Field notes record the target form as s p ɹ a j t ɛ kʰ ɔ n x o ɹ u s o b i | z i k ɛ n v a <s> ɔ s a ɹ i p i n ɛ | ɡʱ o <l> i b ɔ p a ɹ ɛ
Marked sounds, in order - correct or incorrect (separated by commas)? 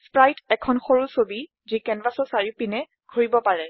correct, incorrect